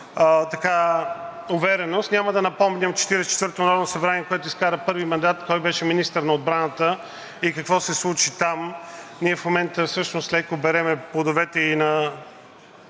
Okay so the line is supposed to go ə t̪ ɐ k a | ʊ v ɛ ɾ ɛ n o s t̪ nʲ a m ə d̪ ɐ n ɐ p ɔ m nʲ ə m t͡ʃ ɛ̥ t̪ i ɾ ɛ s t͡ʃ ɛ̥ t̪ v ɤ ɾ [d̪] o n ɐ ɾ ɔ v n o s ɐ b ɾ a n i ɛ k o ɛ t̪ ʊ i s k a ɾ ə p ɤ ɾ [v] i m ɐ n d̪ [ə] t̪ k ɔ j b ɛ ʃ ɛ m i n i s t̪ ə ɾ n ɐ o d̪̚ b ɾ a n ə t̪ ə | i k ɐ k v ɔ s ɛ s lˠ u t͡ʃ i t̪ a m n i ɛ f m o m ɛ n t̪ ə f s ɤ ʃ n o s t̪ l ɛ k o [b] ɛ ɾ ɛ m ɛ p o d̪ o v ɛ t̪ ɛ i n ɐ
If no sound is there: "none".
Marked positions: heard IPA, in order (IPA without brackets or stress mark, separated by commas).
t̪, v, a, b